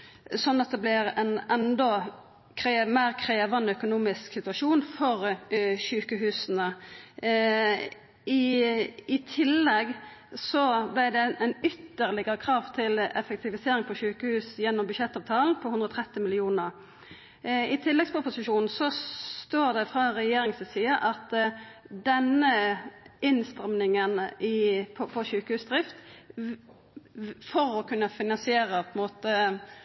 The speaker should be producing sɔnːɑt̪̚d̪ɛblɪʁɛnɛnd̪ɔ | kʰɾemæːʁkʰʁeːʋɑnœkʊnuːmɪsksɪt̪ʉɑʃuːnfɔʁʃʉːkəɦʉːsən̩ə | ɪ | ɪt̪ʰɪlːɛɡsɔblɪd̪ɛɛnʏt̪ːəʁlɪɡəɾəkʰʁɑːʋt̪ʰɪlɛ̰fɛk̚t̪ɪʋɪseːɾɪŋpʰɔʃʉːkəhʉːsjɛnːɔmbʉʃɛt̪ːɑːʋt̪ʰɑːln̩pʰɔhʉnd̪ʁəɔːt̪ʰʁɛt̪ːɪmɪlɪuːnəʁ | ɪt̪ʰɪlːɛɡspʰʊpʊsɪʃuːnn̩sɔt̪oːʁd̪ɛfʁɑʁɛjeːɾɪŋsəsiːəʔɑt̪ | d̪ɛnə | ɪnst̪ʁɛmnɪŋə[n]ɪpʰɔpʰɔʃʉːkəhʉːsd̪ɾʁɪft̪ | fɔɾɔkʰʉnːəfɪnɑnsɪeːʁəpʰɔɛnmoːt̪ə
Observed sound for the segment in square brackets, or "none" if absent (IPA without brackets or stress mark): n